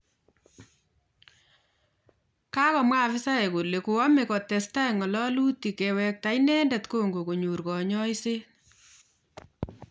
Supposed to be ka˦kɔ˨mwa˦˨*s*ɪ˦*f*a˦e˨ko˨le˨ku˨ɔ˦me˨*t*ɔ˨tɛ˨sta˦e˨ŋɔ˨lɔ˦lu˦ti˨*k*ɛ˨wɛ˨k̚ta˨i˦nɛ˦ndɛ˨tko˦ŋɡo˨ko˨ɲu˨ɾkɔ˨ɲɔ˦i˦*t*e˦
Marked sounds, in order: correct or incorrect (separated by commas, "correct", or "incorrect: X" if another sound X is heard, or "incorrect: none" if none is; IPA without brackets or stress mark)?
incorrect: f, incorrect: s, incorrect: k, correct, incorrect: s